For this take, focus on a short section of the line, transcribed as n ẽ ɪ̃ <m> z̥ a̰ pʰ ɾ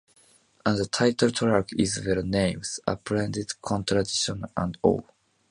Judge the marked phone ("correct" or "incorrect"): correct